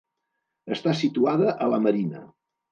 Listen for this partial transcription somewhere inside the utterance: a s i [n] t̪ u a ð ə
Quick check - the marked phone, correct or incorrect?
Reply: incorrect: none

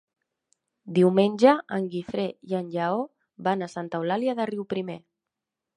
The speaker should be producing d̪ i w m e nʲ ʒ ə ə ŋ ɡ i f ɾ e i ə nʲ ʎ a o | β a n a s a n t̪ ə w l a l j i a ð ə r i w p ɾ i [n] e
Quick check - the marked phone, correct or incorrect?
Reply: incorrect: m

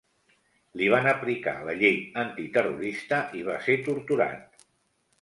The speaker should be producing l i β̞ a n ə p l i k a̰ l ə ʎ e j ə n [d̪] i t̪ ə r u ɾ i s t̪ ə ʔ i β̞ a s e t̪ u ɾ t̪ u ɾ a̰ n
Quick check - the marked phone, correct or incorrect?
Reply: incorrect: t̪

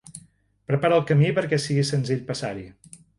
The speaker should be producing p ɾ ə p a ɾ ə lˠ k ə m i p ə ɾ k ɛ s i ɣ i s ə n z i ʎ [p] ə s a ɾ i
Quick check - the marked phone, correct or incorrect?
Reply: correct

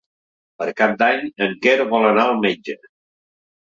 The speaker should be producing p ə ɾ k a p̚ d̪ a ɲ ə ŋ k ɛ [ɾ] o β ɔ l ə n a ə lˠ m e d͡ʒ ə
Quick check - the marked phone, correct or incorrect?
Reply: correct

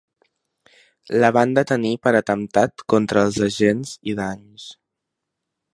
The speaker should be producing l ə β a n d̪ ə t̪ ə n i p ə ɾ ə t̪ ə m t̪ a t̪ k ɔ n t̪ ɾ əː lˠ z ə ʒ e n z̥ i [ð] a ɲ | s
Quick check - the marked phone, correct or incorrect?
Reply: correct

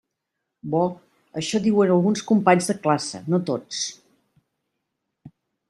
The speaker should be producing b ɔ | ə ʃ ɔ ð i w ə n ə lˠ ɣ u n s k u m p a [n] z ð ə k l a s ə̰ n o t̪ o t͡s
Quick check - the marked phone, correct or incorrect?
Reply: incorrect: ɲ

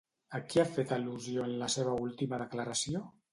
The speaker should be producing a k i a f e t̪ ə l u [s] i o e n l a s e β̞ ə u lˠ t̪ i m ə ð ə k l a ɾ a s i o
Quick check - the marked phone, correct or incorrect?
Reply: incorrect: z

